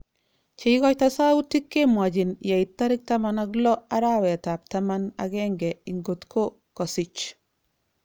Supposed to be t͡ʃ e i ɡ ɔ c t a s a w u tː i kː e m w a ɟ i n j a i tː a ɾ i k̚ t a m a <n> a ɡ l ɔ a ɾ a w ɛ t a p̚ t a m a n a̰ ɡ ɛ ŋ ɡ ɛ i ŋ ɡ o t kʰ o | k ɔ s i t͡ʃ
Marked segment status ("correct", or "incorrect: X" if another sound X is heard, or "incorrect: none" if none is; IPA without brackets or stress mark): correct